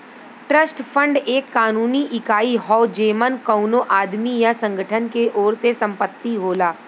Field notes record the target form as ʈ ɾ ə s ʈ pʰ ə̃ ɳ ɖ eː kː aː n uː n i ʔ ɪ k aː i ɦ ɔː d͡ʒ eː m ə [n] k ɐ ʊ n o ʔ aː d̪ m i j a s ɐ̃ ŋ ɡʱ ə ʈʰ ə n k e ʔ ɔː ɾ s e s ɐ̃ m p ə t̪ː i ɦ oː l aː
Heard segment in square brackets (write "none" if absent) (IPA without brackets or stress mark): n